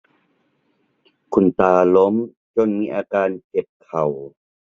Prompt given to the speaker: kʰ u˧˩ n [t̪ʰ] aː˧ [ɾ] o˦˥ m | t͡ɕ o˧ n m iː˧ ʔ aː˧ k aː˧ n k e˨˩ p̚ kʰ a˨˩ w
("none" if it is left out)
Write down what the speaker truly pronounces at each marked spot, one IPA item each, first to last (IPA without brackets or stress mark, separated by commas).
t̪, l